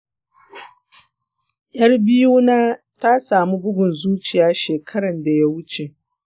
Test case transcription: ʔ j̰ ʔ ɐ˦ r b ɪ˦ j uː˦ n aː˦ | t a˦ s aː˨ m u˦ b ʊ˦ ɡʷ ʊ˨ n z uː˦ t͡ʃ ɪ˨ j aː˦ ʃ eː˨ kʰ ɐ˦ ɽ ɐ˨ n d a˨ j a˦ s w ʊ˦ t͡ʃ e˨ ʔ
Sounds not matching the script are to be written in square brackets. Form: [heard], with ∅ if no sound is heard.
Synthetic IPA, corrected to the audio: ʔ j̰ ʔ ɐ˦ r b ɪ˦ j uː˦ n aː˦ | t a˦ s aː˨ m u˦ b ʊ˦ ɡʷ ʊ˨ n z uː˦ t͡ʃ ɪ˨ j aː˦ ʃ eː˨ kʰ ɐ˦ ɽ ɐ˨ n d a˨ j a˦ [∅] w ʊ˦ t͡ʃ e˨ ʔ